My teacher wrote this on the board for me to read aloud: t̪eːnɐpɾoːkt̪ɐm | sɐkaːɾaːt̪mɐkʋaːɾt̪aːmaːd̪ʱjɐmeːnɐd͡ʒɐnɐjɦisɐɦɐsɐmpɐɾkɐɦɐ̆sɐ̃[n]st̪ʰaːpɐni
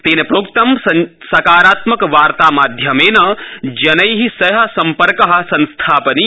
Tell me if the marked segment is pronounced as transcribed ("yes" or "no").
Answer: yes